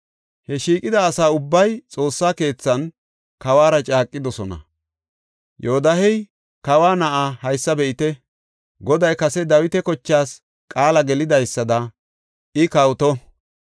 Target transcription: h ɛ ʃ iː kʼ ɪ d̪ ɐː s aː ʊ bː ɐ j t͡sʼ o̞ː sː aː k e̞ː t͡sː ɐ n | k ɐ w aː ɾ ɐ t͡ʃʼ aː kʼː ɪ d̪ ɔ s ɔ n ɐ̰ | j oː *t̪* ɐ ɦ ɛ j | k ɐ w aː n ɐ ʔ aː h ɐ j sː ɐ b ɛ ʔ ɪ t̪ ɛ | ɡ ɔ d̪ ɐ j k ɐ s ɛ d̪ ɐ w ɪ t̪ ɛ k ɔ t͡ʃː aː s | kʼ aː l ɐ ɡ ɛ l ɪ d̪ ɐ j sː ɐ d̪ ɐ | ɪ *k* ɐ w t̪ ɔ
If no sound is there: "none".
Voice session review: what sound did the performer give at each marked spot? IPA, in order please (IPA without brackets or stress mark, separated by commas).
d̪, k